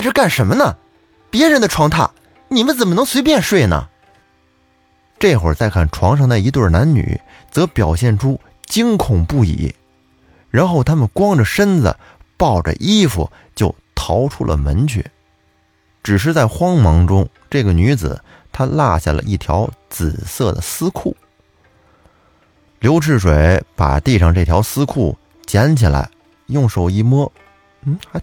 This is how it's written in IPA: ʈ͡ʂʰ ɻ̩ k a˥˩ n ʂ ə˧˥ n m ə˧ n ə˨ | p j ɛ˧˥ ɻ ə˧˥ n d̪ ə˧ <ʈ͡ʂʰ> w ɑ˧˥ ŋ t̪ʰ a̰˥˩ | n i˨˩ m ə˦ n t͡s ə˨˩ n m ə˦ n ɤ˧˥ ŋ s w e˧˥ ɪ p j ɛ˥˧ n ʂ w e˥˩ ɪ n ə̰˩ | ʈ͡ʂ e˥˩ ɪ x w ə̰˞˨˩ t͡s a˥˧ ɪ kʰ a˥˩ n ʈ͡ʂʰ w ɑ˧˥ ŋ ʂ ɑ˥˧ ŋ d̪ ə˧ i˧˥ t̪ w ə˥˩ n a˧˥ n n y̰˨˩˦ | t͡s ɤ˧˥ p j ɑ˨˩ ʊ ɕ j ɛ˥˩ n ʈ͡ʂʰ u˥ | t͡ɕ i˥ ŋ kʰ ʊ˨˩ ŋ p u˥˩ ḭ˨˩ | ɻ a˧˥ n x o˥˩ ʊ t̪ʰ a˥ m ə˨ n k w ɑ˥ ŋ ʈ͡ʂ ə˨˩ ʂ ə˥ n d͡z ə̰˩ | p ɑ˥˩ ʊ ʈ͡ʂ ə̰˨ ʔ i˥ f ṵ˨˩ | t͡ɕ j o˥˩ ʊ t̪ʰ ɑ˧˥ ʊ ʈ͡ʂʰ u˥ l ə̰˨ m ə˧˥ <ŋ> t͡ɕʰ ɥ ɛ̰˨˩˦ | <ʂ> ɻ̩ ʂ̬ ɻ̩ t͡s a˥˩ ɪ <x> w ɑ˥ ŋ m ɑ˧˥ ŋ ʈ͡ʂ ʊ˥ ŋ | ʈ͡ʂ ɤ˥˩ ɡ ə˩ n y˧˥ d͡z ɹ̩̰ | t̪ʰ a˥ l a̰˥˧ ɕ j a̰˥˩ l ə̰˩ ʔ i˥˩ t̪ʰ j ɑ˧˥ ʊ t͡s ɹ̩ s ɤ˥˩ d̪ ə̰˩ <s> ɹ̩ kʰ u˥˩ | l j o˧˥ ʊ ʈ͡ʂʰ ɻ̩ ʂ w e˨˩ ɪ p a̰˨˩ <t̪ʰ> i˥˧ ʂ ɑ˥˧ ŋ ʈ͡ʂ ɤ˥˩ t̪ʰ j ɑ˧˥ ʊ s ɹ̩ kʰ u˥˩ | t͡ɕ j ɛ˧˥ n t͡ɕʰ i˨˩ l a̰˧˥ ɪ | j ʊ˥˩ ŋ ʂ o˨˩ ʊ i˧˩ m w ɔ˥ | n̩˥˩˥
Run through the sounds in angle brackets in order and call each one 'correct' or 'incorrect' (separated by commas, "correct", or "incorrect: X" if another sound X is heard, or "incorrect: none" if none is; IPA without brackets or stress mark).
correct, incorrect: n, incorrect: ʈ͡ʂ, correct, correct, incorrect: t̪